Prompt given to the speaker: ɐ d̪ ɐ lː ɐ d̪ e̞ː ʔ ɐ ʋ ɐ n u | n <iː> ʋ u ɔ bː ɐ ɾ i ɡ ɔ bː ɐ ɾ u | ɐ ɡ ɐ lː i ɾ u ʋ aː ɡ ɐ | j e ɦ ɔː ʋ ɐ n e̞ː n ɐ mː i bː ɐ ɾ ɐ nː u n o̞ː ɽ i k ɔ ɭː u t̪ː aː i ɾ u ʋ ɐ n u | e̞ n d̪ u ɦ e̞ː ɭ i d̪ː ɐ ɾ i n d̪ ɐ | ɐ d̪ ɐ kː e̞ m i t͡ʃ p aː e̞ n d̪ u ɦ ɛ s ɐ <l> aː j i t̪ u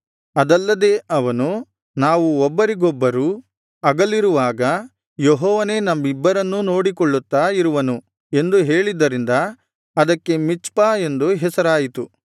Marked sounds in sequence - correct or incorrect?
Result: incorrect: aː, incorrect: ɾ

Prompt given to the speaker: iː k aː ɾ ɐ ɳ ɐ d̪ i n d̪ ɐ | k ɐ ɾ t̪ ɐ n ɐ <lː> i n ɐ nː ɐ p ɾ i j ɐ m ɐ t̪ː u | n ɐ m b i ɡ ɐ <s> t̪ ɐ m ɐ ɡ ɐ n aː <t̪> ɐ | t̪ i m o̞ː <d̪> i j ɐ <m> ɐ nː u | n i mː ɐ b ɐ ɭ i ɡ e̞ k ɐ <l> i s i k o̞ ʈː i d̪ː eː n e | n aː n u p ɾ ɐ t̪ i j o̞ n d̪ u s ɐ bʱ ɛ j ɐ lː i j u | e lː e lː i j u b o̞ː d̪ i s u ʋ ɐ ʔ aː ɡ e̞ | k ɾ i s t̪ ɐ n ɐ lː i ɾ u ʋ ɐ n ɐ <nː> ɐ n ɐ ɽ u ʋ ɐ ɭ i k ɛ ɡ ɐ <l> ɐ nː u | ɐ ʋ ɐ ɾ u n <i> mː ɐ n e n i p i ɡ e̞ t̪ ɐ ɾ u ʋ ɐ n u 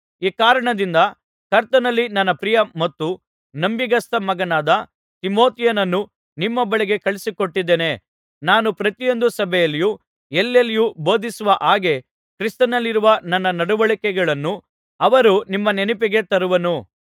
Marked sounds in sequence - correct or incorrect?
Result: correct, correct, incorrect: d̪, incorrect: t̪, incorrect: n, incorrect: ɭ, correct, incorrect: ɭ, correct

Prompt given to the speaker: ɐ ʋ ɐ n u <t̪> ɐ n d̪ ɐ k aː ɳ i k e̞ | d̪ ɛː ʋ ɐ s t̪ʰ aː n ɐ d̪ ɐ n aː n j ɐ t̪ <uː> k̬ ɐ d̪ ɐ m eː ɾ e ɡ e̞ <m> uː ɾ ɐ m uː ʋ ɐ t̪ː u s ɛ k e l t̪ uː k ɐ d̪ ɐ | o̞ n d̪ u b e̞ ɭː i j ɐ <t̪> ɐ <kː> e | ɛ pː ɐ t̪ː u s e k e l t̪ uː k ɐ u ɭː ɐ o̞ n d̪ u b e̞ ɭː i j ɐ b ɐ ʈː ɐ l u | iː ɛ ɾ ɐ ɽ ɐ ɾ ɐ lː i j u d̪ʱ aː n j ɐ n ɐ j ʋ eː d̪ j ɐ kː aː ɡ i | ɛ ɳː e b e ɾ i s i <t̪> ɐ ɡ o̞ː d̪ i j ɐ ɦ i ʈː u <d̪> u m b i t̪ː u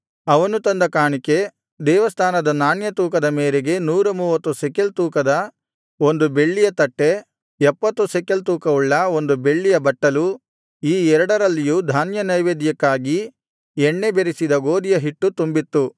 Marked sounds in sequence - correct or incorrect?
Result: correct, correct, incorrect: n, correct, incorrect: ʈː, incorrect: d̪, incorrect: t̪

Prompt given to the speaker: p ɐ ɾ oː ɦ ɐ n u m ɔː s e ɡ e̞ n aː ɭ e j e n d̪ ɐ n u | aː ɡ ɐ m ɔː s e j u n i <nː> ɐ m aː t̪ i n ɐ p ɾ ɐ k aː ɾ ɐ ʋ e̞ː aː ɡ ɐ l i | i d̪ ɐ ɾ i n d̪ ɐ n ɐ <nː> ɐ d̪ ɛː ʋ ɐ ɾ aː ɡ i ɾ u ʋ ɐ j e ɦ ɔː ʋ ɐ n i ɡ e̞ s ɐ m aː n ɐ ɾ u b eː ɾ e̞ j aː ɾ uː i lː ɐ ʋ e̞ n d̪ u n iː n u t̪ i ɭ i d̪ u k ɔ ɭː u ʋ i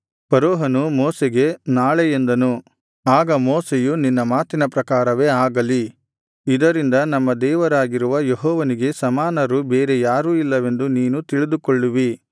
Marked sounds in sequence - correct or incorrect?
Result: correct, incorrect: mː

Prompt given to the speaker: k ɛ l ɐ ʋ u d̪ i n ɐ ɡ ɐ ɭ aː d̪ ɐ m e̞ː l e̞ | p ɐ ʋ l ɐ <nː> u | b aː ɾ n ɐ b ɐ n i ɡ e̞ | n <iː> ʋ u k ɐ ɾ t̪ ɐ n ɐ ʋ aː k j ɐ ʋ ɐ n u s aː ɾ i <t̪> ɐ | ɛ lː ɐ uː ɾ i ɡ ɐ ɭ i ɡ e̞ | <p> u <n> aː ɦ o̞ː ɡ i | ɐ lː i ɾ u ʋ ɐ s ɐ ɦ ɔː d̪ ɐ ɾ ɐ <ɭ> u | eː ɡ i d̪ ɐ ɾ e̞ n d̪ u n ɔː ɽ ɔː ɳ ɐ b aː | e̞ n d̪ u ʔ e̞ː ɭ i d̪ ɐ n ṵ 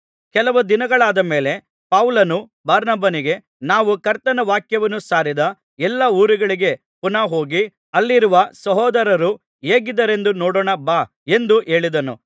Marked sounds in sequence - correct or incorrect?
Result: incorrect: n, incorrect: aː, incorrect: d̪, correct, correct, incorrect: ɾ

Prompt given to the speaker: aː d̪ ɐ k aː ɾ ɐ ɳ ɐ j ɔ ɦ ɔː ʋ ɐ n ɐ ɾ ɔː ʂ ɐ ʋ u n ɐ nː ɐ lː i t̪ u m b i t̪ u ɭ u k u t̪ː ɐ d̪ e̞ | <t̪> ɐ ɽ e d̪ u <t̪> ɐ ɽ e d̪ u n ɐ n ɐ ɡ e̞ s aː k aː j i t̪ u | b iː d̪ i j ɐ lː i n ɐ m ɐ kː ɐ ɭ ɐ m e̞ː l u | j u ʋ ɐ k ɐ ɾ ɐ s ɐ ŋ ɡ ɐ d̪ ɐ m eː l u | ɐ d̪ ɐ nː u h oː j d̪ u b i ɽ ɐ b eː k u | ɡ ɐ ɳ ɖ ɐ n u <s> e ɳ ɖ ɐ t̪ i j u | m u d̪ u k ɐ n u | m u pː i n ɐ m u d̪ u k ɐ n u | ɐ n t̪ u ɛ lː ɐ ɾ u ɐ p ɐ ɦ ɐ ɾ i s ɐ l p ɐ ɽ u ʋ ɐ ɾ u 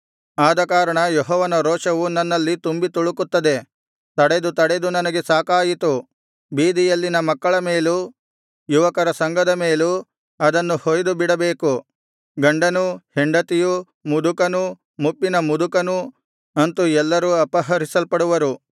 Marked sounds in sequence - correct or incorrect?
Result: correct, correct, incorrect: h

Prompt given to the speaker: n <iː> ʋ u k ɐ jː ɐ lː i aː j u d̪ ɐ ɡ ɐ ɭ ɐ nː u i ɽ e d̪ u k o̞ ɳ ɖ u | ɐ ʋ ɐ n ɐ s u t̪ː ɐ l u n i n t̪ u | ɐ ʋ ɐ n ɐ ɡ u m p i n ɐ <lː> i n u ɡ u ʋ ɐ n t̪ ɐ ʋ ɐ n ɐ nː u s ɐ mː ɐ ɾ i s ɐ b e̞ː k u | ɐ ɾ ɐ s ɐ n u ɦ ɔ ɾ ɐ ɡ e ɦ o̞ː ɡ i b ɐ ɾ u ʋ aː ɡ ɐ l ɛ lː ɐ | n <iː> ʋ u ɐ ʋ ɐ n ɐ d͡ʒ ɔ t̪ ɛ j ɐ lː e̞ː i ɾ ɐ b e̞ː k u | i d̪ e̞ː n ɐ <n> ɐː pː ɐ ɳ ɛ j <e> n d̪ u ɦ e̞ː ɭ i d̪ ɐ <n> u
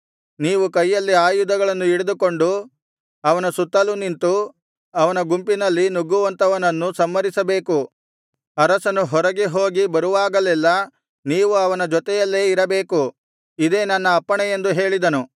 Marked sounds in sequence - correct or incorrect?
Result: correct, correct, correct, incorrect: nː, correct, correct

